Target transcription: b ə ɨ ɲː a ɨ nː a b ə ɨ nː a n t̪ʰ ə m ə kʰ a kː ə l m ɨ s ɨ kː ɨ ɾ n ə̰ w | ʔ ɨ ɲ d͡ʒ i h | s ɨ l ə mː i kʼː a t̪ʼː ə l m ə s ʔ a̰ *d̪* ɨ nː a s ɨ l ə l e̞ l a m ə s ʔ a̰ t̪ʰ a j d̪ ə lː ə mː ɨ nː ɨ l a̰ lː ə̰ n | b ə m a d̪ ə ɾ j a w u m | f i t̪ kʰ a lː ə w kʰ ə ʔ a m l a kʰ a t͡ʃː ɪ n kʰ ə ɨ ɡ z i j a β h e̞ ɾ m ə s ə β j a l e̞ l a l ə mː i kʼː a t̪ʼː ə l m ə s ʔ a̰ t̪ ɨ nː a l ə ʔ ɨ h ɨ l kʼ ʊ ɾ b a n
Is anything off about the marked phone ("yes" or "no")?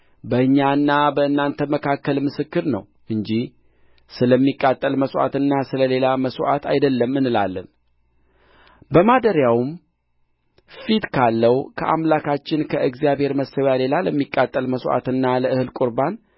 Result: yes